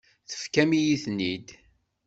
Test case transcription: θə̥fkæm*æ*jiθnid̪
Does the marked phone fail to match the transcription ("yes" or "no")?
yes